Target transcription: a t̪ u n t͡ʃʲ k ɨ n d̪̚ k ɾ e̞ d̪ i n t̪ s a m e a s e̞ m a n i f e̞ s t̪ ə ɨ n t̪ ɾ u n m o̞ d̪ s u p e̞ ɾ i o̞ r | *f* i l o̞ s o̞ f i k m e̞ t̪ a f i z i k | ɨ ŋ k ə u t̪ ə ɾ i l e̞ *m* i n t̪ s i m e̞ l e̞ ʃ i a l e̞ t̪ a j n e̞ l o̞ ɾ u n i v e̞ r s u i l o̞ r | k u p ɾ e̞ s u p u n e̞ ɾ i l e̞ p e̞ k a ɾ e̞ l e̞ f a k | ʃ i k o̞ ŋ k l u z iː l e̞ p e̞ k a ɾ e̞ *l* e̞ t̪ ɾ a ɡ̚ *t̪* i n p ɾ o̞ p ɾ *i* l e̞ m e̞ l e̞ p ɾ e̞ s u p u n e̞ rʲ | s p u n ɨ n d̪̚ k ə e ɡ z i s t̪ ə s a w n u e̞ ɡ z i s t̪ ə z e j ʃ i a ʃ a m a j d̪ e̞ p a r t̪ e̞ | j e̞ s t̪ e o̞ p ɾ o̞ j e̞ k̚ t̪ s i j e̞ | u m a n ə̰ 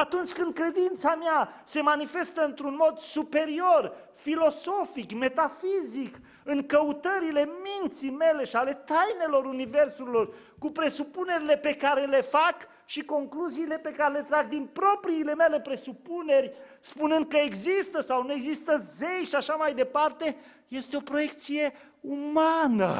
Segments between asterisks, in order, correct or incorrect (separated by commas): correct, correct, correct, incorrect, incorrect